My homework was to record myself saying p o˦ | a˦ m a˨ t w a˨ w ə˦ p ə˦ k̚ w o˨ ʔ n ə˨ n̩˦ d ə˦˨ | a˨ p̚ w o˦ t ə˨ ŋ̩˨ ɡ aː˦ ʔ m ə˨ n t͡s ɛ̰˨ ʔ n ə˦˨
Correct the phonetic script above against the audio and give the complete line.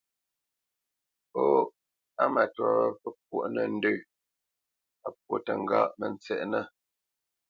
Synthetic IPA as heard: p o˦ | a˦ m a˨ t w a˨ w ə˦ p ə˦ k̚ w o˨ ʔ n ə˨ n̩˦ d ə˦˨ | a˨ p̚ w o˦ t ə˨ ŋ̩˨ ɡ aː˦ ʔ m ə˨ n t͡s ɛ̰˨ ʔ n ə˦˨